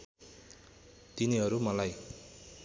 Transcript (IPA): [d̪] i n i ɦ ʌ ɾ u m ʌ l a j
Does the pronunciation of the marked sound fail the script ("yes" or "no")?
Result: yes